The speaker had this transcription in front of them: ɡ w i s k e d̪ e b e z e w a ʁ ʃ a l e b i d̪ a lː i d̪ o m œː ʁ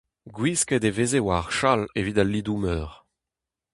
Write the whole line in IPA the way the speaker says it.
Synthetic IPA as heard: ɡ w i s k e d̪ e v e z e w a ʁ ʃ a l e v i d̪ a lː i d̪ u m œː ʁ